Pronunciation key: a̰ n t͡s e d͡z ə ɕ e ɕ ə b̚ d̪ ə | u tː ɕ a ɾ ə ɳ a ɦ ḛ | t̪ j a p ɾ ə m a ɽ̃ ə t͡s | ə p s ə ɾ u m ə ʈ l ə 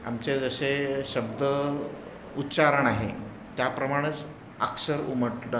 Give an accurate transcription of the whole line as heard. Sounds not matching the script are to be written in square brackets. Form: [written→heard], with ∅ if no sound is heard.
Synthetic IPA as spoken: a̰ [n→m] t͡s e d͡z ə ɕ e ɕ ə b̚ d̪ ə | u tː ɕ a ɾ ə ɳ a ɦ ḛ | t̪ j a p ɾ ə m a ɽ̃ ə t͡s | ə [p→k] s ə ɾ u m ə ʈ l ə

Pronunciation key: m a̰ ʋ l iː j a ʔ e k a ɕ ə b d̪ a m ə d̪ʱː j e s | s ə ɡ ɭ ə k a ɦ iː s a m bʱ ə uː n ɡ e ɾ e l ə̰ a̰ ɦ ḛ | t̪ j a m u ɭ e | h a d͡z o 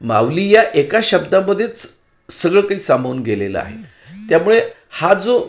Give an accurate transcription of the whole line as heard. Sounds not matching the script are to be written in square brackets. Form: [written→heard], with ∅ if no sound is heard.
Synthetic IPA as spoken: m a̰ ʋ l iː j a ʔ e k a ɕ ə b d̪ a m ə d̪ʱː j e [s→t͡s] | s ə ɡ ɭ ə k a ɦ iː s a m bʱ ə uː n ɡ e [ɾ→l] e l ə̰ a̰ ɦ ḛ | t̪ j a m u ɭ e | h a d͡z o

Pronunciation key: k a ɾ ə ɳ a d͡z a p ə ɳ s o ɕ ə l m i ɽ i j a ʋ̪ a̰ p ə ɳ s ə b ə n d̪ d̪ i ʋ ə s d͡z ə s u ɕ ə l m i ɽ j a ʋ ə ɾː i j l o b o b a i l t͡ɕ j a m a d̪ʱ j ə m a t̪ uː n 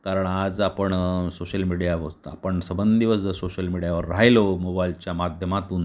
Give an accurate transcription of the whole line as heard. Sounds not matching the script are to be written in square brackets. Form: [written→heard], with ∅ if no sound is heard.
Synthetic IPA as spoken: k a ɾ ə ɳ a d͡z a p ə ɳ s o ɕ ə l m i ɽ i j a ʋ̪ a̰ p ə ɳ s ə b ə n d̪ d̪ i ʋ ə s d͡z ə s [u→o] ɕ ə l m i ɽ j a ʋ ə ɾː [i→a] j l o [b→m] o b a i l t͡ɕ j a m a d̪ʱ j ə m a t̪ uː n

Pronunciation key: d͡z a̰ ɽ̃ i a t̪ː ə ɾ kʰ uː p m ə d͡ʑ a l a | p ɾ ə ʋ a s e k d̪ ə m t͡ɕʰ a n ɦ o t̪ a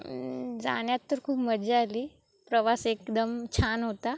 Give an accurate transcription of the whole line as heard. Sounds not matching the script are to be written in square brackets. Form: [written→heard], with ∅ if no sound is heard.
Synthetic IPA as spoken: d͡z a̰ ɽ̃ [i→j] a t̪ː ə ɾ kʰ uː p m ə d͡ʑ a l [a→i] | p ɾ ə ʋ a s e k d̪ ə m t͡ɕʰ a n ɦ o t̪ a

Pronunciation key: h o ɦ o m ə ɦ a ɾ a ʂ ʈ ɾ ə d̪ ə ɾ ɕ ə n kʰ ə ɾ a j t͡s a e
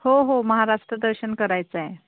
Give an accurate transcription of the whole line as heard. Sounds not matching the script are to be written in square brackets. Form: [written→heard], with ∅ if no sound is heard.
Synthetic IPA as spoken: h o ɦ o m ə ɦ a ɾ a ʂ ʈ ɾ ə d̪ ə ɾ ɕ ə n [kʰ→k] ə ɾ a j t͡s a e

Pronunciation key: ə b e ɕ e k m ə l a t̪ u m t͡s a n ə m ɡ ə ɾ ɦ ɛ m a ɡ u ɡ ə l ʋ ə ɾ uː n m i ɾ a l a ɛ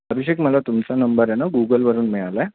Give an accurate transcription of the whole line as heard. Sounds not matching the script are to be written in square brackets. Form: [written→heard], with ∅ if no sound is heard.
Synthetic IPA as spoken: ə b [e→i] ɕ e k m ə l a t̪ u m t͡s a n ə m [ɡ→b] ə ɾ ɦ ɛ [m→n] a ɡ u ɡ ə l ʋ ə ɾ uː n m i [ɾ→ɭ] a l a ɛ

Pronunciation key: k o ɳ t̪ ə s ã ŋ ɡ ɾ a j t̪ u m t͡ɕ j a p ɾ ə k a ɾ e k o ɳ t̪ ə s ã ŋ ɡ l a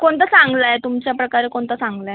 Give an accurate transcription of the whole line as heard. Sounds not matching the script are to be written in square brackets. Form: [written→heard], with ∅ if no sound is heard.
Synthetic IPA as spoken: k o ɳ t̪ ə s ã ŋ ɡ [ɾ→l] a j t̪ u m t͡ɕ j a p ɾ ə k a ɾ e k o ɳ t̪ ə s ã ŋ ɡ l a

